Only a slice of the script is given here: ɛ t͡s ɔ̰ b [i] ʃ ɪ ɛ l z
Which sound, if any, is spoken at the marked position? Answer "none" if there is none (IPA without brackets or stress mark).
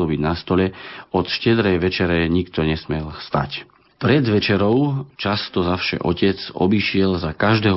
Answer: i